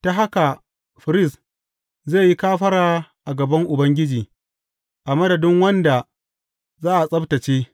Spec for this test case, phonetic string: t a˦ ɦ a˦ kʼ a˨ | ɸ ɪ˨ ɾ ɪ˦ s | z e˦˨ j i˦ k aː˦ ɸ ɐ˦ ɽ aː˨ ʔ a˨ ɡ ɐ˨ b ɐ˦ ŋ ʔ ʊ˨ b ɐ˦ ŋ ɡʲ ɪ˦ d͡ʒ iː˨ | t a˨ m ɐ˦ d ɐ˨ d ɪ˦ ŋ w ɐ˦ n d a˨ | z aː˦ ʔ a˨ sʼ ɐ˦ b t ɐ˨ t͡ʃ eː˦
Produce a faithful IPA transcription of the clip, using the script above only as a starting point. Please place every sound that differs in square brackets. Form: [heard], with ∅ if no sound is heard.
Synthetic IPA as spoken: t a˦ ɦ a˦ [k] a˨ | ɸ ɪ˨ ɾ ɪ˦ s | z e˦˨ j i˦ k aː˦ ɸ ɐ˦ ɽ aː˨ ʔ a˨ ɡ ɐ˨ b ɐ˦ ŋ ʔ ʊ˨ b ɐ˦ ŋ ɡʲ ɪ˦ d͡ʒ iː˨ | [ʔ] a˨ m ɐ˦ d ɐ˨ d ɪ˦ ŋ w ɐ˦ n d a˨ | z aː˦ ʔ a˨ sʼ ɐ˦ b t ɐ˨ t͡ʃ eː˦